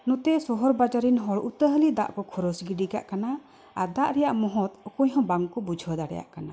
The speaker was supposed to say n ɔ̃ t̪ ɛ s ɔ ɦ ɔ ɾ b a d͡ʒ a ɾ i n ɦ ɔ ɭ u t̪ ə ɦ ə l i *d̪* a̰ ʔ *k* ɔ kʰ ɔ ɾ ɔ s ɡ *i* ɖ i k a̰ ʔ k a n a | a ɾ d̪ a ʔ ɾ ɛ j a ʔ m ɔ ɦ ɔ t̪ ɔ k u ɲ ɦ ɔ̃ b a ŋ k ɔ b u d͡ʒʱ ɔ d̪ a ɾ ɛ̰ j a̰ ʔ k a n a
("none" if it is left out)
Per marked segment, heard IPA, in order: d̪, k, i

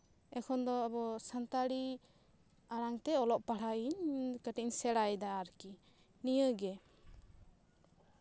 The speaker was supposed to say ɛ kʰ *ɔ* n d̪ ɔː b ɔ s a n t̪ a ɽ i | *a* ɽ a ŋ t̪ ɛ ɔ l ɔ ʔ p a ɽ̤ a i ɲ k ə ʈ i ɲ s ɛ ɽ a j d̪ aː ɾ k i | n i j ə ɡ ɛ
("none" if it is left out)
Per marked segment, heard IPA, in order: ɔ, a

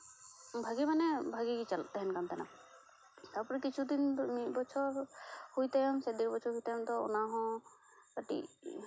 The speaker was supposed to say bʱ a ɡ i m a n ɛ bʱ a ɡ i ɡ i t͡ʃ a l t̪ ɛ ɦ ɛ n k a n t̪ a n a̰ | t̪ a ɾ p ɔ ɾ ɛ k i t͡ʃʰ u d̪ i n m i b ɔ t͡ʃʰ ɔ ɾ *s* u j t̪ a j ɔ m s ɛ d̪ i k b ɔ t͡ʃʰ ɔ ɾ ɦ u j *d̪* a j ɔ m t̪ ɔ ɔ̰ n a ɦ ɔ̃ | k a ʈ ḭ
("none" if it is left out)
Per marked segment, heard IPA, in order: h, t̪

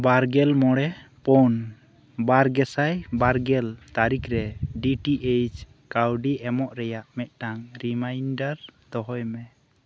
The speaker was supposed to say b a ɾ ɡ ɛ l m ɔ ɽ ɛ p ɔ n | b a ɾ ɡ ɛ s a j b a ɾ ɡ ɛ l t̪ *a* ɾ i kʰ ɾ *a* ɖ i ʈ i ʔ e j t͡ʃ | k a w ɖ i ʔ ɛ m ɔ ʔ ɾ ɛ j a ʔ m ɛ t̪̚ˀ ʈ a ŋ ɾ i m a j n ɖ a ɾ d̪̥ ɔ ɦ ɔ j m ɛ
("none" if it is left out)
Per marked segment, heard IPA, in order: a, ɛ

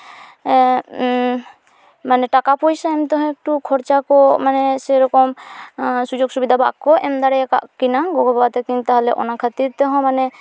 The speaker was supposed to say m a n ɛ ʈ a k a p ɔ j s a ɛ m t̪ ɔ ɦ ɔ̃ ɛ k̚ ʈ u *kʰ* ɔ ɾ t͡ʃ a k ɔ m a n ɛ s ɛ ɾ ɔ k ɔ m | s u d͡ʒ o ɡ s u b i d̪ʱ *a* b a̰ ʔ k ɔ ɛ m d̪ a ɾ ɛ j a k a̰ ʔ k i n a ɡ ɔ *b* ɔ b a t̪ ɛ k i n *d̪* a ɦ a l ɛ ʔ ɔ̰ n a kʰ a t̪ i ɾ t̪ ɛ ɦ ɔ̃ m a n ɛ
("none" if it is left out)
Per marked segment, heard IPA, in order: kʰ, a, ɡ, t̪

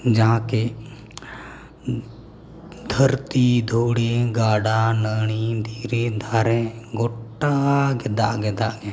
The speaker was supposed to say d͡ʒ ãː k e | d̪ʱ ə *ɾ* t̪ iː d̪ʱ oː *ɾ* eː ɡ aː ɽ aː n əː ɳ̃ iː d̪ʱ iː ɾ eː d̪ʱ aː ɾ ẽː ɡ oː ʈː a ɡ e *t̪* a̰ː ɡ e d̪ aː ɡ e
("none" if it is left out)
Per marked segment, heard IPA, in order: ɾ, ɽ, d̪

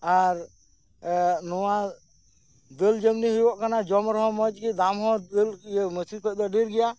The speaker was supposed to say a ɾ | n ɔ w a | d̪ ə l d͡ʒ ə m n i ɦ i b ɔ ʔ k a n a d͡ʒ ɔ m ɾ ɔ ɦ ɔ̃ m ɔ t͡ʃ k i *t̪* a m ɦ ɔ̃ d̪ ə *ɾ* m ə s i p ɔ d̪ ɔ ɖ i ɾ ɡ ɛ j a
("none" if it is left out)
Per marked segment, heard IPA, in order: d̪, l

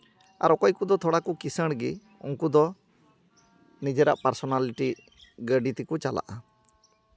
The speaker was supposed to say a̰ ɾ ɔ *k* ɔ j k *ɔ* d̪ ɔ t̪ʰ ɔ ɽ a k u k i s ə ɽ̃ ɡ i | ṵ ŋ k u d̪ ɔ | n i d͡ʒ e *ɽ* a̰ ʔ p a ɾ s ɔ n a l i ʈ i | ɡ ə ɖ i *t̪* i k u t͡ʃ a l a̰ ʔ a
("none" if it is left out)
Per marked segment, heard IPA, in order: k, u, ɾ, t̪

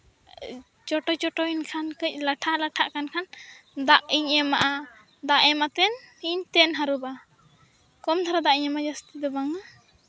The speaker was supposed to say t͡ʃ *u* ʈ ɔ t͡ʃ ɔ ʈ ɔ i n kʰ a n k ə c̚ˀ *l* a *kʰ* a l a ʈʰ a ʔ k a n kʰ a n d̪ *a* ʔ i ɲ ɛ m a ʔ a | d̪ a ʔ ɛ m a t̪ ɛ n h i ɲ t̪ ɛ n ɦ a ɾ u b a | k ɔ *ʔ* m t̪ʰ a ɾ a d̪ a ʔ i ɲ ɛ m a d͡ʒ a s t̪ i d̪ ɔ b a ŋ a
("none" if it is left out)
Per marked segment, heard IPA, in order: ɔ, l, ʈʰ, a, none

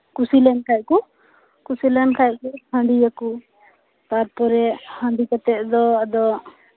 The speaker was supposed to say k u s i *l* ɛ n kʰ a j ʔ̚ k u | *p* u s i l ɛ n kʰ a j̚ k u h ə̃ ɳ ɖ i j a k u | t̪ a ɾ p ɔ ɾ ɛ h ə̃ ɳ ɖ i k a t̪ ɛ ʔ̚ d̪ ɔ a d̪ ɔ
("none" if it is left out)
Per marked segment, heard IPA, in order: l, k

